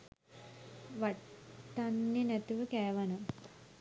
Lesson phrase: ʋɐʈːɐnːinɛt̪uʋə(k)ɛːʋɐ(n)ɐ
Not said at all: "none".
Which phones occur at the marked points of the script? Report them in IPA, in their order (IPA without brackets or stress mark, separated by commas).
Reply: k, n